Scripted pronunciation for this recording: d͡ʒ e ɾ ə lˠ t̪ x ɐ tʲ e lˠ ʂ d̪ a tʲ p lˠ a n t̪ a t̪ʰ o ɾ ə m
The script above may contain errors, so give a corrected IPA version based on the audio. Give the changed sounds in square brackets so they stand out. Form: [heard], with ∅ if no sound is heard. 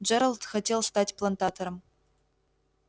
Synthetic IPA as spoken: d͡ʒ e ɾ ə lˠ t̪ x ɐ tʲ e lˠ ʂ [t̪] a tʲ p lˠ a n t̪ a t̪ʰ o ɾ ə m